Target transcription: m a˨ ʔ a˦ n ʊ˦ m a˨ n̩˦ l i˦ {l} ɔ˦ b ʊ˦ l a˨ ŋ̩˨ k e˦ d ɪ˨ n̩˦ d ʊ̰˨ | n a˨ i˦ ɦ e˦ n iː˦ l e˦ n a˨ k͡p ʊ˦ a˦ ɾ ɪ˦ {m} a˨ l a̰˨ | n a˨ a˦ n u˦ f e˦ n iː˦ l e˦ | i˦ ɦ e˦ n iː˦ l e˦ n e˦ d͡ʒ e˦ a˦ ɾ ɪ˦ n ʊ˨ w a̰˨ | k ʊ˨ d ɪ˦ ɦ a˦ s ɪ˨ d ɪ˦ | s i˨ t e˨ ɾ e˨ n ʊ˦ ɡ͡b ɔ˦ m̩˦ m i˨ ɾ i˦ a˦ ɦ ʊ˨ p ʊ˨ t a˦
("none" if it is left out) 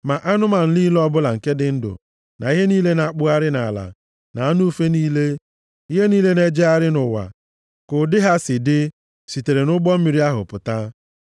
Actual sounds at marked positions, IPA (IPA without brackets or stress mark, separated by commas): l, n